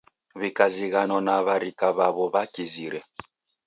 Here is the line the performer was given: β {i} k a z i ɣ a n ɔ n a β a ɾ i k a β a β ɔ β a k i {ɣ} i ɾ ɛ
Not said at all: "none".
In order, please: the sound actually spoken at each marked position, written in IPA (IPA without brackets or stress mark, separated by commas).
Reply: i, z